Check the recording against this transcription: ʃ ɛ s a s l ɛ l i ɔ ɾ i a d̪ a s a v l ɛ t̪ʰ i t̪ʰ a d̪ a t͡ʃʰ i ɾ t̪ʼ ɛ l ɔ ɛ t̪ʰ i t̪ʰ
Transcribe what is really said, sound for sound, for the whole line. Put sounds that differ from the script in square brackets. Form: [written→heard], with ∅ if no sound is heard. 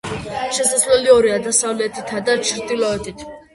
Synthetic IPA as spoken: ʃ ɛ s a s l ɛ l i ɔ ɾ i a d̪ a s a v l ɛ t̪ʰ i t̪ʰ a d̪ a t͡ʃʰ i ɾ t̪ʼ [ɛ→i] l ɔ ɛ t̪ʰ i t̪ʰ